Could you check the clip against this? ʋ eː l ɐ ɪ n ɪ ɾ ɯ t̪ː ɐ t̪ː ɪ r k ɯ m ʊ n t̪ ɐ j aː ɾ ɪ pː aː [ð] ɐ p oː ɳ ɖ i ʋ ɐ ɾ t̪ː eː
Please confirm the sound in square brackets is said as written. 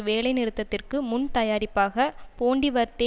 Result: no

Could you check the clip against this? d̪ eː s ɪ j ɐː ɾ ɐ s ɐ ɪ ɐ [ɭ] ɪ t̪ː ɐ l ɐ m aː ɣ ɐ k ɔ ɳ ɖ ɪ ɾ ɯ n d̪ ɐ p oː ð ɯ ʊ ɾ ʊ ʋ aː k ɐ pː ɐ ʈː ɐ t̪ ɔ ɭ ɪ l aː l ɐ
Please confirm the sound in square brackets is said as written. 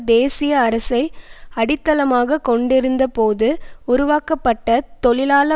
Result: no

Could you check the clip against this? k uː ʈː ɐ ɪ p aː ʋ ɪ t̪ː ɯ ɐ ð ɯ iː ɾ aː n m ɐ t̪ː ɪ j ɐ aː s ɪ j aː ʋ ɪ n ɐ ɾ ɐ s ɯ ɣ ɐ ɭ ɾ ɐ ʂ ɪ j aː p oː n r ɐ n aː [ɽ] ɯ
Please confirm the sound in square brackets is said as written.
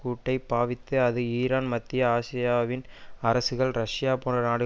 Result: yes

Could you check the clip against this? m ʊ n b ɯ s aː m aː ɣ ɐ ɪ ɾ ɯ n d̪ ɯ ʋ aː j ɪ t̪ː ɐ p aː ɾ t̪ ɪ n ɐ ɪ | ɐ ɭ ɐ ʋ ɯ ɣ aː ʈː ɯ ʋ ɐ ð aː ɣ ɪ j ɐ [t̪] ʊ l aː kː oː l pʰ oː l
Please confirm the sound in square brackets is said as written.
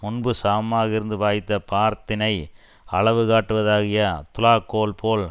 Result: yes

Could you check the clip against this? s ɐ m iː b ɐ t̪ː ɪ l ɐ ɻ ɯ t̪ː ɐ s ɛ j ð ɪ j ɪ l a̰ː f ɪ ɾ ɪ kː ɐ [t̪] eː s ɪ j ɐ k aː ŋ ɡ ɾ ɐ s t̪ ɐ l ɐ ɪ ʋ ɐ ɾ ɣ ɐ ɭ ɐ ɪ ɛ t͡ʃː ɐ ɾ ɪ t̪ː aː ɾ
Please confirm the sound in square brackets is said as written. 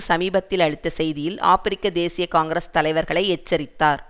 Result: no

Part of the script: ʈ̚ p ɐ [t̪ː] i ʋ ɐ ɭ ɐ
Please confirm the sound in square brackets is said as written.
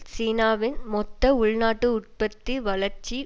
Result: yes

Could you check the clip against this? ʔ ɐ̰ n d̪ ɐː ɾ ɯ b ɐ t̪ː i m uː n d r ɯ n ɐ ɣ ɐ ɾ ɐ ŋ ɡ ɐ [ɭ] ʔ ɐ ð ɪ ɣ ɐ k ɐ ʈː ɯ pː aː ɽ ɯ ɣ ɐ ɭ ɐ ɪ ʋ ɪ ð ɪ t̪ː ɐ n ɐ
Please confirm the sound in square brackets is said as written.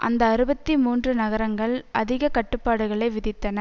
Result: yes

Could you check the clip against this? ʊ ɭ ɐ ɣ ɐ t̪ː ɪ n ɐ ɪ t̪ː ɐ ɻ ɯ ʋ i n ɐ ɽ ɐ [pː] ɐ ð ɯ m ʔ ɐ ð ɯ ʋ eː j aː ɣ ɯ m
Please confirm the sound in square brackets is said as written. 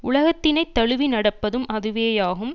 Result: yes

